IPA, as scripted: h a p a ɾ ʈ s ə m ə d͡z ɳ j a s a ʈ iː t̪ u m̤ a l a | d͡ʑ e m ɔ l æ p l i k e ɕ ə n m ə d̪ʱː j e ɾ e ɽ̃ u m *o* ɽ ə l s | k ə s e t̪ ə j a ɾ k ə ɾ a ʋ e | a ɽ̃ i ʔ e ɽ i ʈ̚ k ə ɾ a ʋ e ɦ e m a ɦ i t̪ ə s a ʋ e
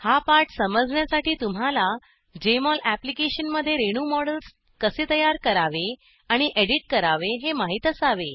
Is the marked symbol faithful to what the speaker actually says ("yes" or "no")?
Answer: no